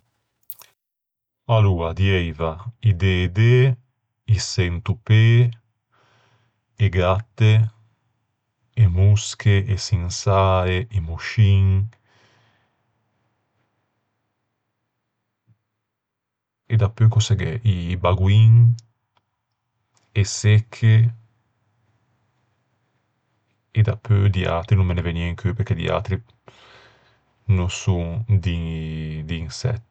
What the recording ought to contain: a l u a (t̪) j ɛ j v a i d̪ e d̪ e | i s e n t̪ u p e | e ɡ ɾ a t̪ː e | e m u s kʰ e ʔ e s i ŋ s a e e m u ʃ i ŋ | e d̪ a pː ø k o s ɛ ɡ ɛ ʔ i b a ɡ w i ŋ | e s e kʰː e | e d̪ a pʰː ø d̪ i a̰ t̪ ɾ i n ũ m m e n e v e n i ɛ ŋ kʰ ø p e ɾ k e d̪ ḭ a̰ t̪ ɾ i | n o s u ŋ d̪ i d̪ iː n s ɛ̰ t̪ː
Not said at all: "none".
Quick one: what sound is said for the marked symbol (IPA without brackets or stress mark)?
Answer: d̪